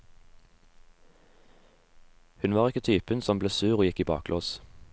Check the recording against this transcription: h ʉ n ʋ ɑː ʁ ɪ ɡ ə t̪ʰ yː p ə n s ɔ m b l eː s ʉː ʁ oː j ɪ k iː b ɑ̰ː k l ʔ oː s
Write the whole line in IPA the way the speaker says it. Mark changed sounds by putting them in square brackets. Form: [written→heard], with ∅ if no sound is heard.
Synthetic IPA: h ʉ n ʋ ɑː ʁ ɪ [ɡ→k] ə t̪ʰ yː p ə n s ɔ m b l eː s ʉː ʁ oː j ɪ k iː b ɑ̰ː k l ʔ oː s